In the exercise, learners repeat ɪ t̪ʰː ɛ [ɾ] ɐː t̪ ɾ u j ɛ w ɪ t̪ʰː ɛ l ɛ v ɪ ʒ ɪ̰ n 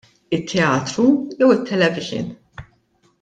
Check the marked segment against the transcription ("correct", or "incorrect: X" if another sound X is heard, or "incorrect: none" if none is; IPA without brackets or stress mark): incorrect: none